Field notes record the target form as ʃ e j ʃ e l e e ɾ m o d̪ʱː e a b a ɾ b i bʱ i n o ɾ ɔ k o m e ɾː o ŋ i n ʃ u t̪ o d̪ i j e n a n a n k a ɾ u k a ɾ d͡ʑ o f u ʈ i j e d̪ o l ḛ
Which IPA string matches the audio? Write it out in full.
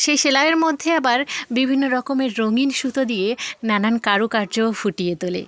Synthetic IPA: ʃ e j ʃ e l a e ɾ m o d̪ʱː e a b a ɾ b i bʱ i nː o ɾ ɔ k o m e ɾː o ŋ i n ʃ u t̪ o d̪ i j e n a n a n k a ɾ u k a ɾ d͡ʑ o f u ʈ i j e t̪ o l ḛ